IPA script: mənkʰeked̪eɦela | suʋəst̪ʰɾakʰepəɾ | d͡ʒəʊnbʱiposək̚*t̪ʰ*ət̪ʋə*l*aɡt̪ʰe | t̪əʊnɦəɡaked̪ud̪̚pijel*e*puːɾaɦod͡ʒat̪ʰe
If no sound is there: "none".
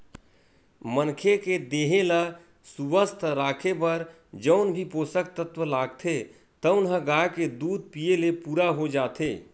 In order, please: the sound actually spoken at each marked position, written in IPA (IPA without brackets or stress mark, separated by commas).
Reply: t̪, l, e